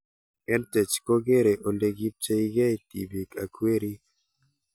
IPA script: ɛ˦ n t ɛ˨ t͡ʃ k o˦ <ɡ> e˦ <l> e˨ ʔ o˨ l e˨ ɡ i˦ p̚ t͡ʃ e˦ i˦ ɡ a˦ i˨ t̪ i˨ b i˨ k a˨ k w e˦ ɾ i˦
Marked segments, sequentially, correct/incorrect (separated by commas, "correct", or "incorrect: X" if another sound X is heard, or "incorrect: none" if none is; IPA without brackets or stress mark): correct, incorrect: ɾ